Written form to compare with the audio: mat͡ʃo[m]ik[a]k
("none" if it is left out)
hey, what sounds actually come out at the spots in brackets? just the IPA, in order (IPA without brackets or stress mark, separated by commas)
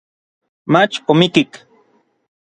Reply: m, i